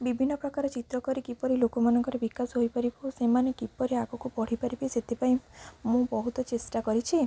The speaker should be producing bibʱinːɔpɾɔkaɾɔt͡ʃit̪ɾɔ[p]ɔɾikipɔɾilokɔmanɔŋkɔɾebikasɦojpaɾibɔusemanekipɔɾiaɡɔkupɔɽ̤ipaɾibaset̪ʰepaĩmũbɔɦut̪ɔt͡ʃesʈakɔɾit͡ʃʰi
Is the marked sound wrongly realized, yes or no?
yes